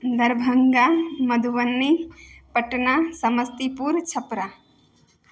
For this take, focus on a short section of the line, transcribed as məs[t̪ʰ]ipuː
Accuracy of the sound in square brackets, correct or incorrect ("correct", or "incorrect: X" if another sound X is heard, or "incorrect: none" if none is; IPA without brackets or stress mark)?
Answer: incorrect: t̪